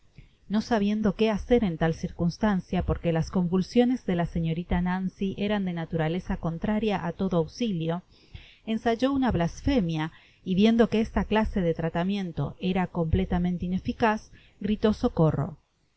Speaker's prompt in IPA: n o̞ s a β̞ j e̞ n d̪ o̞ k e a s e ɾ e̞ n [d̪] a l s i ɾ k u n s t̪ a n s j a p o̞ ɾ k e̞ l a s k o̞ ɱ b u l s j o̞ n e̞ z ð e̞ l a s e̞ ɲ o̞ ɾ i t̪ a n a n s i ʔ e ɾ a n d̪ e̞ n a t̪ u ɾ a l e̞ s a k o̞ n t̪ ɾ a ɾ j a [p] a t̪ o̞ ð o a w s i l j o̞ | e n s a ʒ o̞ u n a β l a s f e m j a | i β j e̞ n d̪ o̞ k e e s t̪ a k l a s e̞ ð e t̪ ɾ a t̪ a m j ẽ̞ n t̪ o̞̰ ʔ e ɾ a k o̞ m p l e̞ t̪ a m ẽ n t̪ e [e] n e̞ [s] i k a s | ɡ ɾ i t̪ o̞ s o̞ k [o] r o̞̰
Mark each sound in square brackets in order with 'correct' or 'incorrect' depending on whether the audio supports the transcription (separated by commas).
incorrect, incorrect, incorrect, incorrect, correct